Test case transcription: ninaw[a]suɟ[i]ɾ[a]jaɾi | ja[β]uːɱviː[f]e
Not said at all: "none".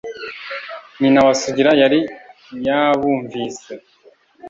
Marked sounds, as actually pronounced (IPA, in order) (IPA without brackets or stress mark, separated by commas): a, i, a, β, s